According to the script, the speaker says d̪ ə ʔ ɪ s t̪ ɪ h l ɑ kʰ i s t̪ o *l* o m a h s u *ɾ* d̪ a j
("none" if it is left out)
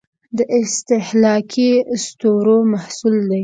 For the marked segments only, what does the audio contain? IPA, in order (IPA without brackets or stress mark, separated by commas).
ɾ, l